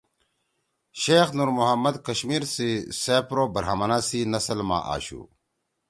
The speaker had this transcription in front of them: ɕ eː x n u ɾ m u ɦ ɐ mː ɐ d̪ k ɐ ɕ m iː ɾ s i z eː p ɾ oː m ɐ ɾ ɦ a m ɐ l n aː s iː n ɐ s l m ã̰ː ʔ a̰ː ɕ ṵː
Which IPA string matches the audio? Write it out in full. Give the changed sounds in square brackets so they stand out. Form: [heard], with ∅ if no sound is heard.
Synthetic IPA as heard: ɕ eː x n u ɾ m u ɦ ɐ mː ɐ d̪ k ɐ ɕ m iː ɾ s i [s] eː p ɾ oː [b] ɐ ɾ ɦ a m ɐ [∅] n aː s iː n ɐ s l m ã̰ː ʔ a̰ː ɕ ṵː